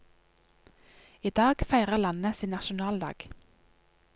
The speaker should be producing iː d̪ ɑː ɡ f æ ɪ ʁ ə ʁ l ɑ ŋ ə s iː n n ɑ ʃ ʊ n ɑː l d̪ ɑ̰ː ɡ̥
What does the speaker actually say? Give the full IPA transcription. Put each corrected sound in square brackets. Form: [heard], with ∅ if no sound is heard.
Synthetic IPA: iː d̪ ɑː ɡ f æ ɪ ʁ ə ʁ l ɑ [n] ə s iː n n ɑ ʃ ʊ n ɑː l d̪ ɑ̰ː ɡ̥